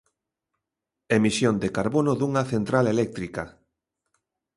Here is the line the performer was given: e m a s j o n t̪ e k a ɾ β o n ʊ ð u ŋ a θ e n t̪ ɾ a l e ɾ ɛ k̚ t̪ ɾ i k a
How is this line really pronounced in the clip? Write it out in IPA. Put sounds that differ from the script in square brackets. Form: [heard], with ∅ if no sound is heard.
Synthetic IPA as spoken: e m [i] s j o n [d̪] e k a ɾ β o n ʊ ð u ŋ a θ e n t̪ ɾ a l e [l] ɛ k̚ t̪ ɾ i k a